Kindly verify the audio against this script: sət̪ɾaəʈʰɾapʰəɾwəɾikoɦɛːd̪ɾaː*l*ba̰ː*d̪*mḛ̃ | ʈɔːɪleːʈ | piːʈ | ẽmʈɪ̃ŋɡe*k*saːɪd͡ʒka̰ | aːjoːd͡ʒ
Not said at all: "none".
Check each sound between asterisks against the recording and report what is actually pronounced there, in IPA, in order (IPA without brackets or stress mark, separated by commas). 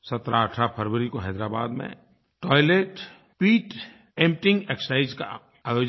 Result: none, d̪, k